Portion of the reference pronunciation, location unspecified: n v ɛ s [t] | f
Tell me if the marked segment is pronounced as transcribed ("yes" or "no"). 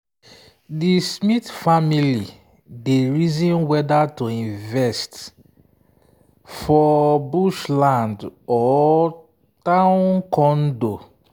yes